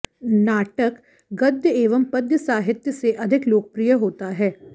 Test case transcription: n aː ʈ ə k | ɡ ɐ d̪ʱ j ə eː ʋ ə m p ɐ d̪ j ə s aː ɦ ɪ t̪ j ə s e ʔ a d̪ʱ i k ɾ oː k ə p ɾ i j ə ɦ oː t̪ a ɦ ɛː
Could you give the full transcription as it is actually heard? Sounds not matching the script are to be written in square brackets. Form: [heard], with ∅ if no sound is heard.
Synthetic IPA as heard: n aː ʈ ə k | ɡ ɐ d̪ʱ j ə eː ʋ ə m p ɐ d̪ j ə s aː ɦ ɪ t̪ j ə s e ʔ [ɐ] d̪ʱ [ɪ] k [l] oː k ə p ɾ i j ə ɦ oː t̪ a ɦ ɛː